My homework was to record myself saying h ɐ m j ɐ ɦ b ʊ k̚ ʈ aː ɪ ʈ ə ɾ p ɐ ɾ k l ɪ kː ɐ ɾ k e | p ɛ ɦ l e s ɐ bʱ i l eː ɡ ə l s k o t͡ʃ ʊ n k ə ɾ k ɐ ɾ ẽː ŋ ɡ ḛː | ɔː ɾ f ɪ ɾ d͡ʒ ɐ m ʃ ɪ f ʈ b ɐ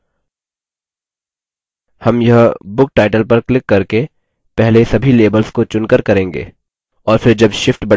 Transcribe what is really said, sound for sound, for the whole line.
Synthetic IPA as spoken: h ɐ m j ɐ ɦ b ʊ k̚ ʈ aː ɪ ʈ ə l p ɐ ɾ k l ɪ kː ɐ ɾ k e | p ɛ ɦ l e s ɐ bʱ i l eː b ə l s k o t͡ʃ ʊ n k ə ɾ k ɐ ɾ ẽː ŋ ɡ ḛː | ɔː ɾ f ɪ ɾ d͡ʒ ɐ b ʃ ɪ f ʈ b ɐ